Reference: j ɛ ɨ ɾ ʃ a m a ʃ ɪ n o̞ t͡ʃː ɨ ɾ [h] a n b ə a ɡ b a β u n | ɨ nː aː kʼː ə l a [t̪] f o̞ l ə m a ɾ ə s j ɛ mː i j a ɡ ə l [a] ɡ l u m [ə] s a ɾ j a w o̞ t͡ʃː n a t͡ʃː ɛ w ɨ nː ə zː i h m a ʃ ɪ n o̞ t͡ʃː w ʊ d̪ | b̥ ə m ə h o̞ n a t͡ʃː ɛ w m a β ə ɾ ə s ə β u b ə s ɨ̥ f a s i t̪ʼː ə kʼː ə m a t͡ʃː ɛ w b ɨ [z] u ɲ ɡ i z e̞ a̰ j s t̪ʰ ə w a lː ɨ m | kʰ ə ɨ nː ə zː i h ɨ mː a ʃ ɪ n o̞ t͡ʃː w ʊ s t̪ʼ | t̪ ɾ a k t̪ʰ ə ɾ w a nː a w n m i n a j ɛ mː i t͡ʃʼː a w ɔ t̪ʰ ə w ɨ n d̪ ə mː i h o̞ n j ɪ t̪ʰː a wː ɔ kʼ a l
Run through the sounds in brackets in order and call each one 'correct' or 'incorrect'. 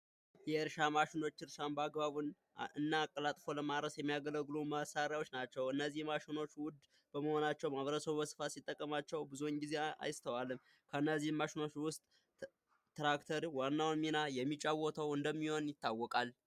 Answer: incorrect: ʃ, incorrect: t̪ʼ, incorrect: ə, incorrect: a, correct

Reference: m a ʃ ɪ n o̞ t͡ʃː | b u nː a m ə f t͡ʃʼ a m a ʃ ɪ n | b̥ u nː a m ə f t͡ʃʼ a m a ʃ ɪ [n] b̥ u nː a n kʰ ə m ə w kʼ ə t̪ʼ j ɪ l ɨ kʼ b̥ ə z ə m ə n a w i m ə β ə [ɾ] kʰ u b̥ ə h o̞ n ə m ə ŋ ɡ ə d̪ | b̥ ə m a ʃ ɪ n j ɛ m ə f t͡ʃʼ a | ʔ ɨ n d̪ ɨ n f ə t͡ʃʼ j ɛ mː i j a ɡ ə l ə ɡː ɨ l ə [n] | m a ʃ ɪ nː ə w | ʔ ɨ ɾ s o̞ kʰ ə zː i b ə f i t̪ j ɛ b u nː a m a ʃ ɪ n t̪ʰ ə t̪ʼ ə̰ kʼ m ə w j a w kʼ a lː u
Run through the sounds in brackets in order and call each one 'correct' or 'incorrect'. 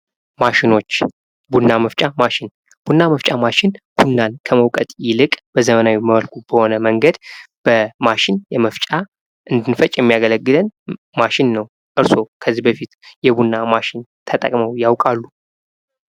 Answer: correct, incorrect: l, correct

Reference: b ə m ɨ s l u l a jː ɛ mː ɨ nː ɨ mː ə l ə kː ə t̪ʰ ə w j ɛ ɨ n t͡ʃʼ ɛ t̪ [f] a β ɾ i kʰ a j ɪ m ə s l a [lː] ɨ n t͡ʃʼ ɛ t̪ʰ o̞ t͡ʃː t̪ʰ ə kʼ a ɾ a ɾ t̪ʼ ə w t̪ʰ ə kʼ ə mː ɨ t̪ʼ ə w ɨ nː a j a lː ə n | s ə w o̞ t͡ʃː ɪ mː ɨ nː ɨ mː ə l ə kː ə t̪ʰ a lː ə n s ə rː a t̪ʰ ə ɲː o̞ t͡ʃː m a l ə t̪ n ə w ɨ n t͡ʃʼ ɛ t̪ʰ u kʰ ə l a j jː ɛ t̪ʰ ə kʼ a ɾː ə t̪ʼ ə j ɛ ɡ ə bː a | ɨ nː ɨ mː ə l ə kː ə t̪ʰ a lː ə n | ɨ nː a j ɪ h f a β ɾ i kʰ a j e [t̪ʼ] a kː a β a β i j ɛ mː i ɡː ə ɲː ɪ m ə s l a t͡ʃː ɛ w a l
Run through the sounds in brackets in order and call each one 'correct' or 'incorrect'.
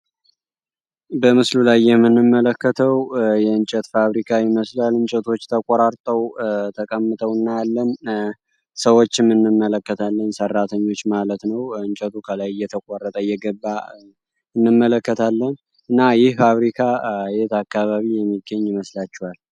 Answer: correct, incorrect: l, incorrect: t̪

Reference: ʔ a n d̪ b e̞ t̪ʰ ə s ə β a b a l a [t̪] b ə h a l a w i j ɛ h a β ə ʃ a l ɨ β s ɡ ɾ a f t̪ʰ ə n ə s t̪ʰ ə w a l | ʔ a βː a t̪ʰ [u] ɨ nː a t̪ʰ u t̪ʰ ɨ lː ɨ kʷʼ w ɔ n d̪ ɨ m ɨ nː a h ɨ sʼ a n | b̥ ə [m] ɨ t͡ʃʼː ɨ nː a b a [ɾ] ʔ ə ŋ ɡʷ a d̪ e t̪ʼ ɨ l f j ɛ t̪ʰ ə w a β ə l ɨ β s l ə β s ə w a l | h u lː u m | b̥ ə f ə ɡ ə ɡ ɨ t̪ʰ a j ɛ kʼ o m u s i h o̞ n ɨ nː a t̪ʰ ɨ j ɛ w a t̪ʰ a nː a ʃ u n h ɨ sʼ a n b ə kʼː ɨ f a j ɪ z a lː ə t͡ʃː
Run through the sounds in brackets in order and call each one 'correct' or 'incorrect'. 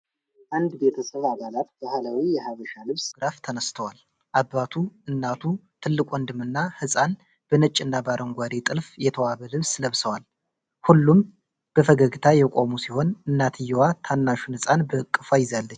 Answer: correct, correct, incorrect: n, correct

